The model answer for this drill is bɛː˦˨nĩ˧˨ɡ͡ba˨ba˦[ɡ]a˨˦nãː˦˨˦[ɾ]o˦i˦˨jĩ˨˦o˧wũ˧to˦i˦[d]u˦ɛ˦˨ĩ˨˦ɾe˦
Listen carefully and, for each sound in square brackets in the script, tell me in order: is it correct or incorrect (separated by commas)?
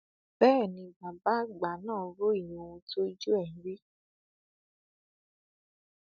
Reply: incorrect, correct, incorrect